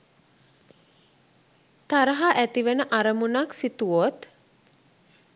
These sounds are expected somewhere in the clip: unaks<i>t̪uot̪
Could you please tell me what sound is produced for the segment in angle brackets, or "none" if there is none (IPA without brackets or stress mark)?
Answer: i